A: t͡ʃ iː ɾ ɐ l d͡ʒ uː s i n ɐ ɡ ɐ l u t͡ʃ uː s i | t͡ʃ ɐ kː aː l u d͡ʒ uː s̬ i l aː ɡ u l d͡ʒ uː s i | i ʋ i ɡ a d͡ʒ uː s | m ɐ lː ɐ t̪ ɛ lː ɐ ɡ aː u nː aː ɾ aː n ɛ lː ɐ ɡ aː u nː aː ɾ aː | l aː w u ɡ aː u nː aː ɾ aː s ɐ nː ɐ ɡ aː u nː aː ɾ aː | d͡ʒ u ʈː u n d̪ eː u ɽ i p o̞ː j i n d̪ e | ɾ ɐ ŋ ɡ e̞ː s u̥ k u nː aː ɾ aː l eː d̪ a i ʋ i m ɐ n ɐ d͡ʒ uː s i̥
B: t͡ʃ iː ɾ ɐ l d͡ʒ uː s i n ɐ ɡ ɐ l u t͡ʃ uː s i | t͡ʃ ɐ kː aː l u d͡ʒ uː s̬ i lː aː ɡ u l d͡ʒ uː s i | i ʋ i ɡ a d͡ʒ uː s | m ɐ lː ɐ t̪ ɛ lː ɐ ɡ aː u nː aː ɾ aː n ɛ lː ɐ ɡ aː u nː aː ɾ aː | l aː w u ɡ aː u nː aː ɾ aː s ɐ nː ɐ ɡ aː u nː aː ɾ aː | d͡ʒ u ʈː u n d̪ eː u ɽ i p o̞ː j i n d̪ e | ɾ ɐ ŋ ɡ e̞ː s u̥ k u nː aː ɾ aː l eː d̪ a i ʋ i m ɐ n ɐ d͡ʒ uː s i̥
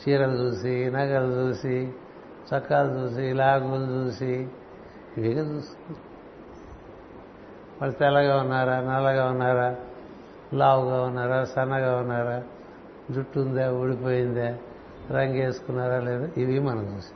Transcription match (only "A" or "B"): A